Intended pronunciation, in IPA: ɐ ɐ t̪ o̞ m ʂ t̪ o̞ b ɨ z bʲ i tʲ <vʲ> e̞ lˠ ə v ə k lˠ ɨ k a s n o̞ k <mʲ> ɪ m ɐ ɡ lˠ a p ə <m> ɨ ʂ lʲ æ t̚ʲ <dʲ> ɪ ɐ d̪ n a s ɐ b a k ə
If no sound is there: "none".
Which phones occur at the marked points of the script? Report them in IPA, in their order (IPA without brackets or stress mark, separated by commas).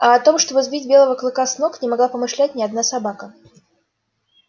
bʲ, nʲ, m, nʲ